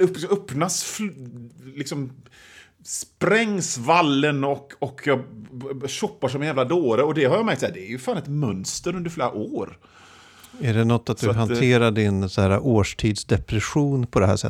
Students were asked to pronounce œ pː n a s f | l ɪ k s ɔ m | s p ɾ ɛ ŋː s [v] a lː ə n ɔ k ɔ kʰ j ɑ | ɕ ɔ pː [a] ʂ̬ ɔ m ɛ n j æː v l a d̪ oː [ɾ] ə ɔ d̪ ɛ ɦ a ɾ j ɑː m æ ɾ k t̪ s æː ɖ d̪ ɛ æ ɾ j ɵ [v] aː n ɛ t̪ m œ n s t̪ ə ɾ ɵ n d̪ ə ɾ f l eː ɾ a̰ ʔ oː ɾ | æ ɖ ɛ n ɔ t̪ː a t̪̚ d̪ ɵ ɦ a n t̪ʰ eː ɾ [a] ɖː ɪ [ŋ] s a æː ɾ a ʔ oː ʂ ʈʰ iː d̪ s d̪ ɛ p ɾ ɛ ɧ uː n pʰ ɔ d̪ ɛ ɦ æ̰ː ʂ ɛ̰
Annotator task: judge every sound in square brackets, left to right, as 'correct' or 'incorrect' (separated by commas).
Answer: correct, correct, correct, incorrect, correct, incorrect